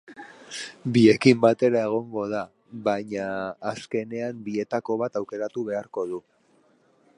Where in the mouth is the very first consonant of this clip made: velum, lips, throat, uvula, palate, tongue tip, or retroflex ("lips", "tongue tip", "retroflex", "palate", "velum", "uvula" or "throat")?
lips